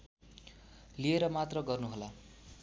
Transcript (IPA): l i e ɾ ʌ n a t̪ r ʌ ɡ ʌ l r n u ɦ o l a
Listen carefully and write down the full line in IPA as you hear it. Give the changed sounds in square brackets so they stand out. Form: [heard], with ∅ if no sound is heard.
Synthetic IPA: l i e ɾ ʌ [m] a t̪ r ʌ ɡ ʌ [∅] r n u ɦ o l a